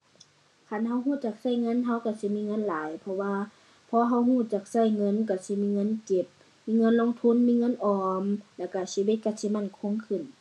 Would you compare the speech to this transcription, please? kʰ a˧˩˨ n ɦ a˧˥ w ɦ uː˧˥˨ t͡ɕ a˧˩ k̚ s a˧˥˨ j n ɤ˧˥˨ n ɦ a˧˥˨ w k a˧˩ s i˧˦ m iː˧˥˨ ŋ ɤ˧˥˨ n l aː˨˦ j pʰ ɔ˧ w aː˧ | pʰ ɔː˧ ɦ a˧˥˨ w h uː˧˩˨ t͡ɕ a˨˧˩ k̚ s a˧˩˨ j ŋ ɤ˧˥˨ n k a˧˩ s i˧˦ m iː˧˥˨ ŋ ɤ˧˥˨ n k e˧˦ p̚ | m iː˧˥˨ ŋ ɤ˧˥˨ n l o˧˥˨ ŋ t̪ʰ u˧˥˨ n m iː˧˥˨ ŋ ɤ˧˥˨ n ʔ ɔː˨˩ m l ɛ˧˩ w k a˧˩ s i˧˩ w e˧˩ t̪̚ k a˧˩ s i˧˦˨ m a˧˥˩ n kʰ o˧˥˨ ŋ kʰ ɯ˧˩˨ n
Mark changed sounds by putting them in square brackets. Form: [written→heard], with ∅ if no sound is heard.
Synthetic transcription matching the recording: kʰ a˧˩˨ n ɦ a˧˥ w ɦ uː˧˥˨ t͡ɕ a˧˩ k̚ s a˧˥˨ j [n→ŋ] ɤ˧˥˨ n ɦ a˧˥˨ w k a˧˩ s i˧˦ m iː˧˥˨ ŋ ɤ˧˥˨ n l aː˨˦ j pʰ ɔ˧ w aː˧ | pʰ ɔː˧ ɦ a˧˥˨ w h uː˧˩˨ t͡ɕ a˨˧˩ k̚ s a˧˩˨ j ŋ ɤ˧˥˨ n k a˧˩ s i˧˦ m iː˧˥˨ ŋ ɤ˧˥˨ n k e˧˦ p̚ | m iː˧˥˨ ŋ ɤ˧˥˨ n l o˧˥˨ ŋ t̪ʰ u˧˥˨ n m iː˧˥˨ ŋ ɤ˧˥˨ n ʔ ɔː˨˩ m l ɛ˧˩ w k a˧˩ s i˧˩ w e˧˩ t̪̚ k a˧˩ s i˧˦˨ m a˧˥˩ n kʰ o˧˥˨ ŋ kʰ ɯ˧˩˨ n